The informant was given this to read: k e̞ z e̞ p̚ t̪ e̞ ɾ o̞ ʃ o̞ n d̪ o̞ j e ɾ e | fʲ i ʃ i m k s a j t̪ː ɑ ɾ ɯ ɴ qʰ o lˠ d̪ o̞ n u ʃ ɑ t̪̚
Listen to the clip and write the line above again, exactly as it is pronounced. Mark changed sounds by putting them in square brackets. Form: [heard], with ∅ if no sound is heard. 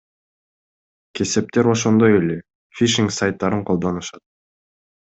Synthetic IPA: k e̞ [s] e̞ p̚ t̪ e̞ ɾ o̞ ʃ o̞ n d̪ o̞ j e [l] e | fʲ i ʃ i [ŋ] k s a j t̪ː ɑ ɾ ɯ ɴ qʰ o lˠ d̪ o̞ n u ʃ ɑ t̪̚